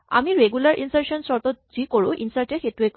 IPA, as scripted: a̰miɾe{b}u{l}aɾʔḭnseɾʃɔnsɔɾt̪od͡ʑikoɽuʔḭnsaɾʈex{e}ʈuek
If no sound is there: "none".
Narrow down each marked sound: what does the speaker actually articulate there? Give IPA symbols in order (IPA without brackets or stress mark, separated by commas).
ɡ, l, e